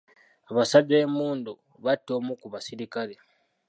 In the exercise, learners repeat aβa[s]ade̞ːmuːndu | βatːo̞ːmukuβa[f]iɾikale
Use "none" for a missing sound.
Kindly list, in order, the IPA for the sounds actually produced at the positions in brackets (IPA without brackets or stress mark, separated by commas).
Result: s, s